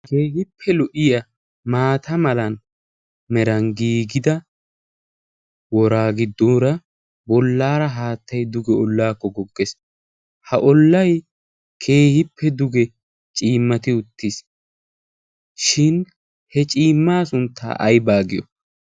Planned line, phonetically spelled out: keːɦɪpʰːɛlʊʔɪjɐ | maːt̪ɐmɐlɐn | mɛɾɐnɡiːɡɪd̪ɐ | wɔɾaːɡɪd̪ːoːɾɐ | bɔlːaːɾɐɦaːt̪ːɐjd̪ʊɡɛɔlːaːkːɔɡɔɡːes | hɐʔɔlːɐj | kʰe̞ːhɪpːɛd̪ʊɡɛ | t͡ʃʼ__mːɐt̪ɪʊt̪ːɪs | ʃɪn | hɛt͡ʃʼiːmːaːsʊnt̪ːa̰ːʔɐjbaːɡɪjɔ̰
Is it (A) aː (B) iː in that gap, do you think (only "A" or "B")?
B